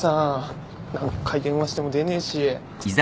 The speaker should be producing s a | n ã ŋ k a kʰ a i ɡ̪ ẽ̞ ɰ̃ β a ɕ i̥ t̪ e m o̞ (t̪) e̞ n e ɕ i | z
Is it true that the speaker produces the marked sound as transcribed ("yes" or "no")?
no